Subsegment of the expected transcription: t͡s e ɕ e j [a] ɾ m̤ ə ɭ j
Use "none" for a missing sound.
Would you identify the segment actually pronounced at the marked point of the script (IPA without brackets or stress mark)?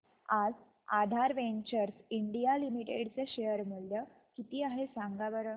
ə